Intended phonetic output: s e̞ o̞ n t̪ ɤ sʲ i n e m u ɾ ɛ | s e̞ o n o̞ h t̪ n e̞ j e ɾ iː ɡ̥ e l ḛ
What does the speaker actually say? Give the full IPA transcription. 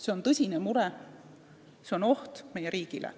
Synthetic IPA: s e̞ o̞ n t̪ ɤ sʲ i n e m u ɾ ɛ | s e̞ o n o̞ h t̪ m e̞ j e ɾ iː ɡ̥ i l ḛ